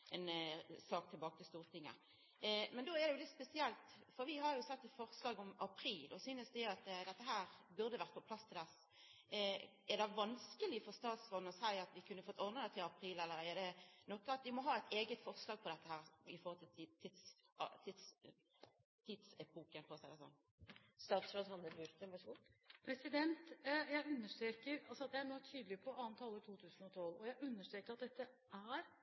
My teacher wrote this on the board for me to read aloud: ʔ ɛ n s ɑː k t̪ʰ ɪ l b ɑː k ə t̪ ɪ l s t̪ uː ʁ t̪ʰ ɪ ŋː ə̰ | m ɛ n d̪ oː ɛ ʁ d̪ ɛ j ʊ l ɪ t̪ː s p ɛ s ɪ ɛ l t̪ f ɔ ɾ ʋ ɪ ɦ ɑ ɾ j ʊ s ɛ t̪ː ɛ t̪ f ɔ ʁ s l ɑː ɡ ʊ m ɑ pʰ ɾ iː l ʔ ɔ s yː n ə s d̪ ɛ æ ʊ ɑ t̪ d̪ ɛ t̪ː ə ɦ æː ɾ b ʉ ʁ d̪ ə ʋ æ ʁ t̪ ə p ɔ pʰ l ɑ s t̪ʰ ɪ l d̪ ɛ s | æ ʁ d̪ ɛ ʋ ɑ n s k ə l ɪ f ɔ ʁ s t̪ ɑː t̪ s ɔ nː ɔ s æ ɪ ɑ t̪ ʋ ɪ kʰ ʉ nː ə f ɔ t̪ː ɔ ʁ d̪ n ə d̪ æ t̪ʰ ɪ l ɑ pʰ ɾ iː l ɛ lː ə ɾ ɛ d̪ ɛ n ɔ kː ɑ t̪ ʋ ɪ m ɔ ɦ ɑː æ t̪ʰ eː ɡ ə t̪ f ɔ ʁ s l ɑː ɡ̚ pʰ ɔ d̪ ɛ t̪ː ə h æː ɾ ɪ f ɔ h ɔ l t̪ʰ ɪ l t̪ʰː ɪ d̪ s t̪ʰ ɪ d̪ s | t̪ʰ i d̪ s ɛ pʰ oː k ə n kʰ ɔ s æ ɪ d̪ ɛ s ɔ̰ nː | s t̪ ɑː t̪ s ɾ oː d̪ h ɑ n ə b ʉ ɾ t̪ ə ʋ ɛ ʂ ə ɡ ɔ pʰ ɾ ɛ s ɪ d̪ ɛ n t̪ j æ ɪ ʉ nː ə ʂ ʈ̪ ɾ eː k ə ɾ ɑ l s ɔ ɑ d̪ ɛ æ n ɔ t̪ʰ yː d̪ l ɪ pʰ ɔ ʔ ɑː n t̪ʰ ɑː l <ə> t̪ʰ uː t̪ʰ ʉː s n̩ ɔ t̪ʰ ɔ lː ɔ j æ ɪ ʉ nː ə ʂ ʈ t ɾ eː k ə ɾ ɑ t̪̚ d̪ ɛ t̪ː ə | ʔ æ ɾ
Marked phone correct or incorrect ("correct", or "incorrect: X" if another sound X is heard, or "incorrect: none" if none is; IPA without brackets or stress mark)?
correct